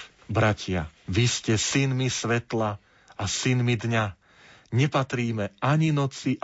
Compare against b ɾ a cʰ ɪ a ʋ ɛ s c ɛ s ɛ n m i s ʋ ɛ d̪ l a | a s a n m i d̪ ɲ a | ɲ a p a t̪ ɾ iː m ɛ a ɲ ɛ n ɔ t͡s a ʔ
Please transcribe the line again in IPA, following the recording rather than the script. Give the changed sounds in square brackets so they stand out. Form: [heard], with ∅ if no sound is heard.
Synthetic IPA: b ɾ a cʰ ɪ a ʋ [i] s c ɛ s [i] n m i s ʋ ɛ [t̪] l a | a s [i] n m i d̪ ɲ a | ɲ [ɛ] p a t̪ ɾ iː m ɛ a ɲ [i] n ɔ t͡s [i] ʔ